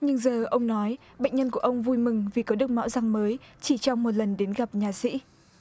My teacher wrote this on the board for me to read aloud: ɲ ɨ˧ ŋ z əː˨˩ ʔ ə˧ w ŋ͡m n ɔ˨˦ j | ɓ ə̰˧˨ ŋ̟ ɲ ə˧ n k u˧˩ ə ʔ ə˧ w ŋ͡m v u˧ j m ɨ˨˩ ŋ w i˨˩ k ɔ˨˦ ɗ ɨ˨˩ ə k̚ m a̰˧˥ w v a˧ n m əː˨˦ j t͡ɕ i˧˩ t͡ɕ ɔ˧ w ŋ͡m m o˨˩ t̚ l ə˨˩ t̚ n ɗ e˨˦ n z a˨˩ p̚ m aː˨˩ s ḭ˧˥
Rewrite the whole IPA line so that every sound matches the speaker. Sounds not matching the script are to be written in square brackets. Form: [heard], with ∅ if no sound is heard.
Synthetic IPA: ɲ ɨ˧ ŋ z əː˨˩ ʔ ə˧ w ŋ͡m n ɔ˨˦ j | ɓ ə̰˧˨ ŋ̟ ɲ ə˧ n k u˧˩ ə ʔ ə˧ w ŋ͡m v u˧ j m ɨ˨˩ ŋ [v] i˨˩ k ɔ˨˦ ɗ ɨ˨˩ ə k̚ m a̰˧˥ w [z] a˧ [ŋ] m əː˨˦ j t͡ɕ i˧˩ t͡ɕ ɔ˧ w ŋ͡m m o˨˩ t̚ l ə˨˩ [∅] n ɗ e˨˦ n [ɣ] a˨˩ p̚ [ɲ] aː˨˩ s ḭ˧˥